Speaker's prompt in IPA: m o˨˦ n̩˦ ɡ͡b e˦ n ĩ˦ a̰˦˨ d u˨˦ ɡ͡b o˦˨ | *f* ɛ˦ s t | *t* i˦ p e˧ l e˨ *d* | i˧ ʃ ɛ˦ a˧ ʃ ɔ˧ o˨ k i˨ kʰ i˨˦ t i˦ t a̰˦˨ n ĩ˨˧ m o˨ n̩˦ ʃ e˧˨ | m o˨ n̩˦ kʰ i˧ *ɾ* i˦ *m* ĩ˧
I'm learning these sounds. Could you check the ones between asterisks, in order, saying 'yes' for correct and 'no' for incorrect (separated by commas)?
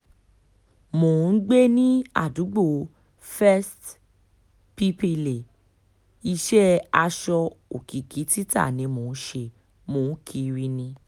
yes, no, no, yes, no